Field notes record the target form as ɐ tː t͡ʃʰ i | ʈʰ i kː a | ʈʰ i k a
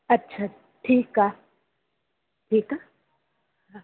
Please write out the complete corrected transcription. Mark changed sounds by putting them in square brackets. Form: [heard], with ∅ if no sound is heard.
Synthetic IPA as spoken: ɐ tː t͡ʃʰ [a] | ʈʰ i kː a | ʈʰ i k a